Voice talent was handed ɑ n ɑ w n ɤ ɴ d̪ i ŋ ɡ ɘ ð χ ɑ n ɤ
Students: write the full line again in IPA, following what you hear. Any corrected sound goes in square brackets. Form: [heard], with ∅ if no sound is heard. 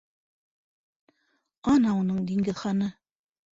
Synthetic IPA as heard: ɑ n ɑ [u] n ɤ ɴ d̪ i ŋ ɡ ɘ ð χ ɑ n ɤ